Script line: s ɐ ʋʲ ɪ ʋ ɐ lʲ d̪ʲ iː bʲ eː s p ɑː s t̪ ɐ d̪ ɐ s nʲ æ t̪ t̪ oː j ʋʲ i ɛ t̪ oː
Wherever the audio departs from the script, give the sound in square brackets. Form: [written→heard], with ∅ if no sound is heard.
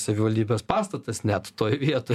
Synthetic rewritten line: s ɐ ʋʲ ɪ ʋ ɐ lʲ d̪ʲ iː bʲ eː s p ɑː s t̪ ɐ [d̪→t̪] ɐ s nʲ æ t̪ t̪ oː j ʋʲ i ɛ t̪ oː